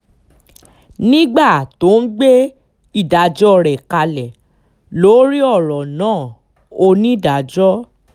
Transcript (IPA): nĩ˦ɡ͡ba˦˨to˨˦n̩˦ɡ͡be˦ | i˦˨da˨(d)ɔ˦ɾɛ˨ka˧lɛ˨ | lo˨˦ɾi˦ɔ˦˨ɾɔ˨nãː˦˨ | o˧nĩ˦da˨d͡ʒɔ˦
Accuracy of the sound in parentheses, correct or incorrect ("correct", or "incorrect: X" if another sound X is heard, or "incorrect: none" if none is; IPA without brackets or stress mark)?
incorrect: d͡ʒ